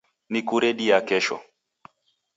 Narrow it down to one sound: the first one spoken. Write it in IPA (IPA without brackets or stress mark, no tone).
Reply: n